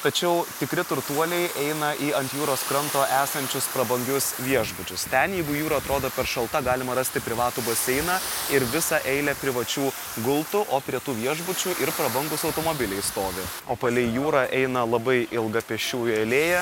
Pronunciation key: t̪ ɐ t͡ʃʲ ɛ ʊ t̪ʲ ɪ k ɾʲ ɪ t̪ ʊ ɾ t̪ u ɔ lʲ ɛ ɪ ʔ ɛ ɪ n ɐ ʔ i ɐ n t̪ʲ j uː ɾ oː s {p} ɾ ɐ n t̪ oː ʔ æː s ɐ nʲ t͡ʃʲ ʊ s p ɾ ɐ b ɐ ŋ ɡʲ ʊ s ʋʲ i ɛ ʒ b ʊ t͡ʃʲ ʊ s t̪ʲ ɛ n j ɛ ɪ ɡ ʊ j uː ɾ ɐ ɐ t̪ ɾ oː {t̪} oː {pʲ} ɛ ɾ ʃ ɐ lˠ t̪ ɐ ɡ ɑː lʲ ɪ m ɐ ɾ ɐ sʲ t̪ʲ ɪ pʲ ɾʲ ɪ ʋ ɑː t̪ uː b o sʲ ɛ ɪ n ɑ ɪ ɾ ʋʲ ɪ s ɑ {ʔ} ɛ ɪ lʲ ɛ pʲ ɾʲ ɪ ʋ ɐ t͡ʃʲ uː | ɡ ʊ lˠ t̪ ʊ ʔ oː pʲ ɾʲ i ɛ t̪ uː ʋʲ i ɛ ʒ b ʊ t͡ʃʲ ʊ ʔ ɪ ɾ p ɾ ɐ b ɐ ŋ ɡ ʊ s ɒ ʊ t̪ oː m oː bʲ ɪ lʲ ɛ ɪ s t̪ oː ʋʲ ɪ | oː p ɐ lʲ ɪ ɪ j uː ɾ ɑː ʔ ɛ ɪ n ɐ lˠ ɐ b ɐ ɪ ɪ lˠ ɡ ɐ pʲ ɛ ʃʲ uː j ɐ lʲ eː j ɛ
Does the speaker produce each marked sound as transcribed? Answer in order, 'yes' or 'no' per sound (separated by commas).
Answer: no, no, yes, yes